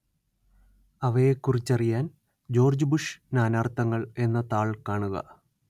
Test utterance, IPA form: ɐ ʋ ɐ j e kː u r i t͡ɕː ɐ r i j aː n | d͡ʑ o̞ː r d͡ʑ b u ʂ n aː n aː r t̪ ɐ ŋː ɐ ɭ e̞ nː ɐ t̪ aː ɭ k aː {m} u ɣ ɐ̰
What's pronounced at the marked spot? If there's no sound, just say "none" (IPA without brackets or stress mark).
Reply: ɳ